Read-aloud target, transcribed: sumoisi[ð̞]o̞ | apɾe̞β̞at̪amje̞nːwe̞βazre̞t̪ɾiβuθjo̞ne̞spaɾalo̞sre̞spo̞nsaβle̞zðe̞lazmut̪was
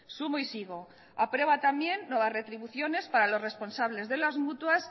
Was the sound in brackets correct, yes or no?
no